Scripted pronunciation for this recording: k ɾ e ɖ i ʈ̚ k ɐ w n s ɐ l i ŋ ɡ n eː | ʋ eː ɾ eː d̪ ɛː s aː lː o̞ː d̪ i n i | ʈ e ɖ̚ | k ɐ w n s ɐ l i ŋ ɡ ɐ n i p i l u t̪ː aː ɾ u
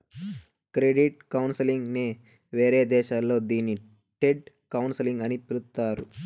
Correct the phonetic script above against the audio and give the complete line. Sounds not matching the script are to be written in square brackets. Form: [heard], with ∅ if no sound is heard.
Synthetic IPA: k ɾ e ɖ i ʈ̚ k ɐ w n s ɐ l i ŋ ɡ n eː | ʋ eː ɾ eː d̪ ɛː [ʃ] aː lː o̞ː d̪ [iː] n i | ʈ e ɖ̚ | k ɐ w n s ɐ l i ŋ ɡ ɐ n i p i l u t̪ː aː ɾ u